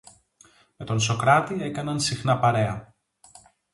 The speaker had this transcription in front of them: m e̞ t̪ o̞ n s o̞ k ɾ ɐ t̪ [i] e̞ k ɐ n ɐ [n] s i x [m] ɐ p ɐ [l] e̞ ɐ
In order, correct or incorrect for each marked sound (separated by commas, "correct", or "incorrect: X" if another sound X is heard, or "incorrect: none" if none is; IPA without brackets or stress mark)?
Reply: correct, correct, incorrect: n, incorrect: ɾ